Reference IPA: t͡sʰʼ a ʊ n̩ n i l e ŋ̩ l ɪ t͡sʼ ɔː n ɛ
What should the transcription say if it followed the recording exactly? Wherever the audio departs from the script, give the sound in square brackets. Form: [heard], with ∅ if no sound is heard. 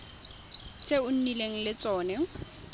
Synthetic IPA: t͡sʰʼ [e] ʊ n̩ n i l e ŋ̩ l ɪ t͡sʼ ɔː n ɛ